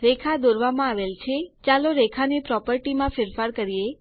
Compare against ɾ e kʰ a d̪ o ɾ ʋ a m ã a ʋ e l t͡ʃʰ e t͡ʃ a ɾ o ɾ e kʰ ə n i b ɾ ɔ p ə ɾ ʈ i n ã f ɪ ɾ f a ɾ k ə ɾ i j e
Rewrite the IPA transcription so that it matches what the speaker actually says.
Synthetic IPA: ɾ e kʰ a d̪ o ɾ ʋ a m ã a ʋ e l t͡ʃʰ e t͡ʃ a l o ɾ e kʰ a n i p ɾ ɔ p ə ɾ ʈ i m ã f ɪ ɾ f a ɾ k ə ɾ i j e